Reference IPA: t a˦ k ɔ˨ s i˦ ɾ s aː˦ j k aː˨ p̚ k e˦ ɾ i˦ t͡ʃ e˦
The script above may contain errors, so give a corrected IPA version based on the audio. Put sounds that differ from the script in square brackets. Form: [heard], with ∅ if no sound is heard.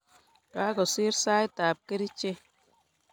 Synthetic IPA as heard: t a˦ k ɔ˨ s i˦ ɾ s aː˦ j [t] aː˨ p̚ k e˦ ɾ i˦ t͡ʃ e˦